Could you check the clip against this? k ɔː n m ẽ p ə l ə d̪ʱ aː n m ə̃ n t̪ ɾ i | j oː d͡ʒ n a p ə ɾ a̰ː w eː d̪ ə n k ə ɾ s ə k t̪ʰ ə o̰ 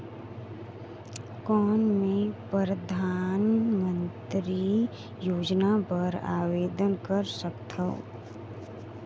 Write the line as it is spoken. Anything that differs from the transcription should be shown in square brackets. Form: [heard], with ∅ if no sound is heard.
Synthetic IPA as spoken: k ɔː n m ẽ p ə [ɾ] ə d̪ʱ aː n m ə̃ n t̪ ɾ i | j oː d͡ʒ n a p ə ɾ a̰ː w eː d̪ ə n k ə ɾ s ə k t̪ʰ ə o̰

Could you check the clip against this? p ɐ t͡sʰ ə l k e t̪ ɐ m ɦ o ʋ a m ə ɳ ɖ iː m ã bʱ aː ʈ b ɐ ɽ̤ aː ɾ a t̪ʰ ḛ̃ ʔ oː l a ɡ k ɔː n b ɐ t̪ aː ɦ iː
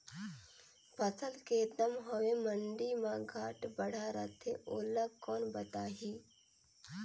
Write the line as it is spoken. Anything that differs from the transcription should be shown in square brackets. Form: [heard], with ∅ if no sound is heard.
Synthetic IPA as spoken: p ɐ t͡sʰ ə l k e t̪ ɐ m ɦ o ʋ [e] m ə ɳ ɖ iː m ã [ɡʱ] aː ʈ b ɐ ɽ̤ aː ɾ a t̪ʰ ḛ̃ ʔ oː l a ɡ k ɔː n b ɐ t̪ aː ɦ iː

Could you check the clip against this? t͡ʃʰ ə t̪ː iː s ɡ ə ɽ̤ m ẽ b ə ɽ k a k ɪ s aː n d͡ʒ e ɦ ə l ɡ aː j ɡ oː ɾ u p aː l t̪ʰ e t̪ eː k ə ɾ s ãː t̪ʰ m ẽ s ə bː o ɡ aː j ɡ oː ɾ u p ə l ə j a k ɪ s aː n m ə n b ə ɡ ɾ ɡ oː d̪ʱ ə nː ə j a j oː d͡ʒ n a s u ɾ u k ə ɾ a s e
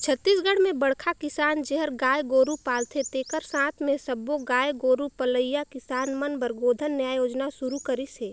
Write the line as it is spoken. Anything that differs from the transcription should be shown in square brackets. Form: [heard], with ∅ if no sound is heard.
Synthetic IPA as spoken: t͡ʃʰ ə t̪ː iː s ɡ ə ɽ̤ m ẽ b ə ɽ [kʰ] a k ɪ s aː n d͡ʒ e ɦ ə [ɾ] ɡ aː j ɡ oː ɾ u p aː l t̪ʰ e t̪ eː k ə ɾ s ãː t̪ʰ m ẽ s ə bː o ɡ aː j ɡ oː ɾ u p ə l ə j a k ɪ s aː n m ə n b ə [∅] ɾ ɡ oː d̪ʱ ə nː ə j a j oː d͡ʒ n a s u ɾ u k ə ɾ [i] s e

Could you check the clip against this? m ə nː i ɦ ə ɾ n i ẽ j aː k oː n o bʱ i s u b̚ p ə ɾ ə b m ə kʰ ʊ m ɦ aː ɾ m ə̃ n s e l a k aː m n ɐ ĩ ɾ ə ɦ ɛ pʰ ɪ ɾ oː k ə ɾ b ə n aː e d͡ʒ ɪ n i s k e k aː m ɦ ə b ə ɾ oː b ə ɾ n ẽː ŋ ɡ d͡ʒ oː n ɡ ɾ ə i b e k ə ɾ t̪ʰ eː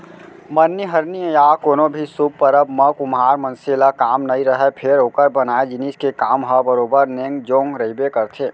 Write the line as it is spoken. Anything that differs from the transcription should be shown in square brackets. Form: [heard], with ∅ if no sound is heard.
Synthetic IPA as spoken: m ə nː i ɦ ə ɾ n i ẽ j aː k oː n o bʱ i s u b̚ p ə ɾ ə b m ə [k] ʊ m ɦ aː ɾ m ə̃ n s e l a k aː m n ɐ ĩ ɾ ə ɦ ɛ pʰ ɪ ɾ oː k ə ɾ b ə n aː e d͡ʒ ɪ n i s k e k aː m ɦ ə b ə ɾ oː b ə ɾ n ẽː ŋ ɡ d͡ʒ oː [ŋ] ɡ ɾ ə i b e k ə ɾ t̪ʰ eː

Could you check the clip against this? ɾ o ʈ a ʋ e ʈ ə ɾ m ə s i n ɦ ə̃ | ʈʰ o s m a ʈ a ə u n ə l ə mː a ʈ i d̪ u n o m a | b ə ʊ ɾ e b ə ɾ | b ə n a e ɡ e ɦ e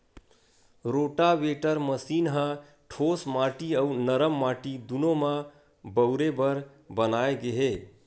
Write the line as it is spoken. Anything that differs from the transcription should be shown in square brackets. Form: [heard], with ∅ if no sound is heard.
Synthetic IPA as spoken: ɾ o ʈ a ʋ e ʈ ə ɾ m ə s i n ɦ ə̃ | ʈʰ o s m a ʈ [i] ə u n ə [ɾ] ə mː a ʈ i d̪ u n o m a | b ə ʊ ɾ e b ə ɾ | b ə n a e ɡ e ɦ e

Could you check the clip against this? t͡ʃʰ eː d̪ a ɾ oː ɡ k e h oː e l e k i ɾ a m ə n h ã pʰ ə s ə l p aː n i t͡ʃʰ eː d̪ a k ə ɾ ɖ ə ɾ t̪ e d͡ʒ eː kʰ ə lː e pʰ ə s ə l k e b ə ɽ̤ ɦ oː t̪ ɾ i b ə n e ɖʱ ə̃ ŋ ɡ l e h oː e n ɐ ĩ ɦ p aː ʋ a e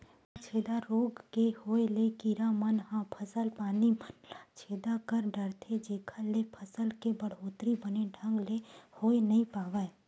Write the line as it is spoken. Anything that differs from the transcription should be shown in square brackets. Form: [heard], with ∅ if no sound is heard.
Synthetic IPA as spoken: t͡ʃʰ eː d̪ a ɾ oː ɡ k e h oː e l e k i ɾ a m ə n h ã pʰ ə s ə l p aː n i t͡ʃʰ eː d̪ a k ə ɾ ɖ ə ɾ [t̪ʰ] e d͡ʒ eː kʰ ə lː e pʰ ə s ə l k e b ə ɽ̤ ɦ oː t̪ ɾ i b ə n e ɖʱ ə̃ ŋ ɡ l e h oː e n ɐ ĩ [∅] p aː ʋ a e

